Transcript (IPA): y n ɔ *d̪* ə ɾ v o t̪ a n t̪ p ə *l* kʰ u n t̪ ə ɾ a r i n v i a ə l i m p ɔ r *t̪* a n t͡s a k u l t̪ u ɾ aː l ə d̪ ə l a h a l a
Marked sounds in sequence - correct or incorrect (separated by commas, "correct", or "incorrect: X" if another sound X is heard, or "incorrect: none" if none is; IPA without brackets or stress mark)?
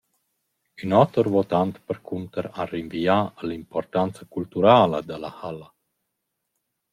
incorrect: t̪, incorrect: ɾ, correct